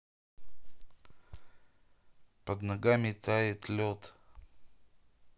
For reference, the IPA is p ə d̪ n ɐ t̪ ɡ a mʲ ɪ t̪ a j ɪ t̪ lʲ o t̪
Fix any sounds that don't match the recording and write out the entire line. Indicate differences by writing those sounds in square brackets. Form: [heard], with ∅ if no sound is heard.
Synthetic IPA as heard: p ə d̪ n ɐ [∅] ɡ a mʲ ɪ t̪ a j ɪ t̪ lʲ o t̪